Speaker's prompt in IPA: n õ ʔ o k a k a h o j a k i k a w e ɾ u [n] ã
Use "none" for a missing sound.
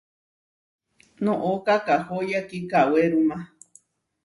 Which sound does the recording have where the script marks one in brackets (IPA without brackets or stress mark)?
m